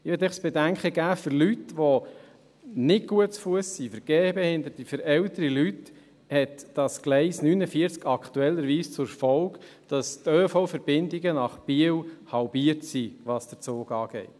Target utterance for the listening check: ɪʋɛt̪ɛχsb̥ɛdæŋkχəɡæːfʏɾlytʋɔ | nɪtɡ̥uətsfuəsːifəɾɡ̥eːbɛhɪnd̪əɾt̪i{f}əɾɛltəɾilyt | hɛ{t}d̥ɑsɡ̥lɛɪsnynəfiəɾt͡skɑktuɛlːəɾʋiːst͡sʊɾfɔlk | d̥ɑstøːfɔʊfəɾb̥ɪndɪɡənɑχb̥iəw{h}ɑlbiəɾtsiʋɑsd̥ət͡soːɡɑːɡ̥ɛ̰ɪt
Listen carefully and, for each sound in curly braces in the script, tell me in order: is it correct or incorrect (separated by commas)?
correct, correct, correct